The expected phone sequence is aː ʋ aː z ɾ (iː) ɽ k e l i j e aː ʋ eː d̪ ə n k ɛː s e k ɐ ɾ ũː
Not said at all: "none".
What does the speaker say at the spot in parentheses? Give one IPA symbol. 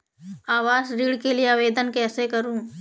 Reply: iː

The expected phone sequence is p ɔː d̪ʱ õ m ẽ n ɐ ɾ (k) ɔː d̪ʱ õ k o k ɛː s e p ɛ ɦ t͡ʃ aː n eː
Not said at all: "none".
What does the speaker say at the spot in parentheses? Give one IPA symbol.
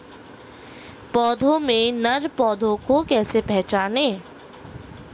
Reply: p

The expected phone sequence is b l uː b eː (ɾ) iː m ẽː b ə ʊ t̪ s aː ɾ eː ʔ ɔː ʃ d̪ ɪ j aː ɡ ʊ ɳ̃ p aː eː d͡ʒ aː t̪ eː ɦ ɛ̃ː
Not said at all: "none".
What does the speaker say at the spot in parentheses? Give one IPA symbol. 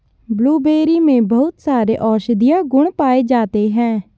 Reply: ɾ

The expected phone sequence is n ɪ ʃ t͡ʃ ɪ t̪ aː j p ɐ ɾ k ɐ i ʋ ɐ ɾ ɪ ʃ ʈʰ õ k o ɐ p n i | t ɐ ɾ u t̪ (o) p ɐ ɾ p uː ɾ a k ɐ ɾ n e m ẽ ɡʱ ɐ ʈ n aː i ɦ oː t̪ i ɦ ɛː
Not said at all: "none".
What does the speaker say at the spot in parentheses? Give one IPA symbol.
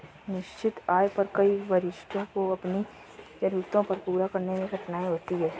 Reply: õ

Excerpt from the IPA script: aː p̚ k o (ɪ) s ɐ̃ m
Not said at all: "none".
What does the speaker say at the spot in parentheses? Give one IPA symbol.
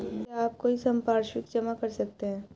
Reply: i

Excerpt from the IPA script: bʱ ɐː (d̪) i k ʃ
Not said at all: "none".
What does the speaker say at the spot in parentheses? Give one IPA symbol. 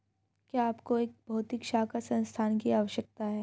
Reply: t̪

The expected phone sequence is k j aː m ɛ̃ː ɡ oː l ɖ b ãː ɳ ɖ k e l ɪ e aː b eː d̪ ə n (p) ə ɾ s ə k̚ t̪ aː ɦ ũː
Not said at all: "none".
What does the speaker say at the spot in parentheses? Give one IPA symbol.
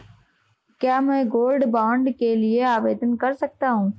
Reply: k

